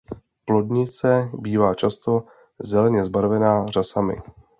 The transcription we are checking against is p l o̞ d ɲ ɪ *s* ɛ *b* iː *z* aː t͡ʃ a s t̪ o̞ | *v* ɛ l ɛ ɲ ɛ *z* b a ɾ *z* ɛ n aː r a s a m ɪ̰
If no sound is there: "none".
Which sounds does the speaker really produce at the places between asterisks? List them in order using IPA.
t͡s, b, v, z, z, v

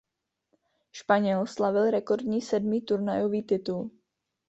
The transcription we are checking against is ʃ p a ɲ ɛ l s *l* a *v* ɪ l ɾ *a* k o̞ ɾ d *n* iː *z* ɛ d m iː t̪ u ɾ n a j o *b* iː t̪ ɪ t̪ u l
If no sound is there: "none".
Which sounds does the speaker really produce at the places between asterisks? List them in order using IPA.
l, v, ɛ, ɲ, s, v

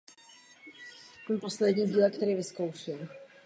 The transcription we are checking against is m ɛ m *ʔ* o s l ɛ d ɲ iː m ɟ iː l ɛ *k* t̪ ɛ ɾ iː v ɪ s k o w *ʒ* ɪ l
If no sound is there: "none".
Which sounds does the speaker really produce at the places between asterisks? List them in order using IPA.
p, k, ʃ

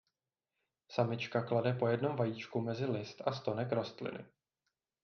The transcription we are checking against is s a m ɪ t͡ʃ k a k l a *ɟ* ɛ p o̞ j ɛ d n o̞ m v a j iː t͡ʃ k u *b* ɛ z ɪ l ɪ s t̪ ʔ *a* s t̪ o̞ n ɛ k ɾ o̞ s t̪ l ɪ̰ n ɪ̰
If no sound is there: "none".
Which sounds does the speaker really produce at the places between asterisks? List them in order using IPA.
d, m, a

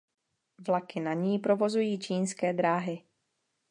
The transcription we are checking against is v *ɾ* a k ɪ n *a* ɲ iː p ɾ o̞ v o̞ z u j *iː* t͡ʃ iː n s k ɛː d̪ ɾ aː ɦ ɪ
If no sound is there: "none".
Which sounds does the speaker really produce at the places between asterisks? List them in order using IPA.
l, a, iː

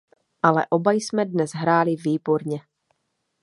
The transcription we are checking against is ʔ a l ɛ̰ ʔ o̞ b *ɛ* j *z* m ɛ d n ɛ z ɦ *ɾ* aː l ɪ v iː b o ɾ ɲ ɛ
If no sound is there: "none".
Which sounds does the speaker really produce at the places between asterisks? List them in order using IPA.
a, s, ɾ

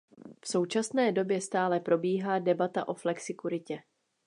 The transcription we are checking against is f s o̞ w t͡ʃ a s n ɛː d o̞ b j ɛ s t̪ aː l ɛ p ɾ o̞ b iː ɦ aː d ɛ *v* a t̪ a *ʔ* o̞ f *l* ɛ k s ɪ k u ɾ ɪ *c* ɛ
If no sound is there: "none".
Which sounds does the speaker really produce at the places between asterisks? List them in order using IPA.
b, ʔ, l, c

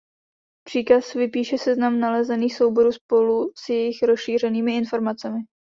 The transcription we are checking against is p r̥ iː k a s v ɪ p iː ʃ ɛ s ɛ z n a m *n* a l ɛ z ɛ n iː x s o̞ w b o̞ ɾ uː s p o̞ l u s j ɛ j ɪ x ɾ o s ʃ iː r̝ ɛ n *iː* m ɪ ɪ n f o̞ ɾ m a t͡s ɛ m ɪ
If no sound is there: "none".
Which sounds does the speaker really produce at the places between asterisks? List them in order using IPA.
n, iː

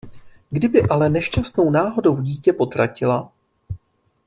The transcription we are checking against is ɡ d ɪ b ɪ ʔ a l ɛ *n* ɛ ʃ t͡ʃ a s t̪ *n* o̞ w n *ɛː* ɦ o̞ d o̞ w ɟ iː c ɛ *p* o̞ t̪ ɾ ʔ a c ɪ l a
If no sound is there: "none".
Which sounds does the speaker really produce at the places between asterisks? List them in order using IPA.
n, n, aː, p

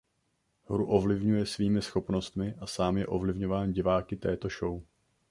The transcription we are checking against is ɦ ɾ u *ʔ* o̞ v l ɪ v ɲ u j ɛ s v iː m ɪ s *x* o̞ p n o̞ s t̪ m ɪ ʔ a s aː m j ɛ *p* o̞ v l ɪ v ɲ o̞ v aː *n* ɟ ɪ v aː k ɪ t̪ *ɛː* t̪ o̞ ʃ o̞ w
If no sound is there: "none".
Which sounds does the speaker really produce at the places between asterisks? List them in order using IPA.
ʔ, x, ʔ, n, ɛː

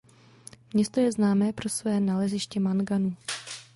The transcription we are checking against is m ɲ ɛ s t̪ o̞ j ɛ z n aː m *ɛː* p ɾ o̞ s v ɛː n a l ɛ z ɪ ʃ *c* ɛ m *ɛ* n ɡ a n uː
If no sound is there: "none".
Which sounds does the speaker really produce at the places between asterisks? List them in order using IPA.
ɛː, c, a

